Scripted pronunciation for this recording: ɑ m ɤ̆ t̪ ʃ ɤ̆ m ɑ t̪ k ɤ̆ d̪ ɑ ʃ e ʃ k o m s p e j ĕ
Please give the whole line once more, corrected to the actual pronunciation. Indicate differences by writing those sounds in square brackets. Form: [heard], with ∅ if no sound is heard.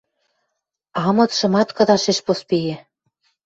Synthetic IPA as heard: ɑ m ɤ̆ t̪ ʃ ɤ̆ m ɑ t̪ k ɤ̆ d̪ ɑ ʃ e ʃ [p] o [∅] s p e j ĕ